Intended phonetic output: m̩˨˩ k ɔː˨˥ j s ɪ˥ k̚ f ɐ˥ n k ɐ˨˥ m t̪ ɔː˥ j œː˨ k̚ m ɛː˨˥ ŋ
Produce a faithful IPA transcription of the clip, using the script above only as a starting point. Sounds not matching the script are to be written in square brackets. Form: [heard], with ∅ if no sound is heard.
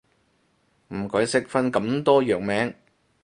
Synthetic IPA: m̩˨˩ k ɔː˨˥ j s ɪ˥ k̚ f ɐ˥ n k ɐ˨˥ m t̪ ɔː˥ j œː˨ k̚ m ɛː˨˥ ŋ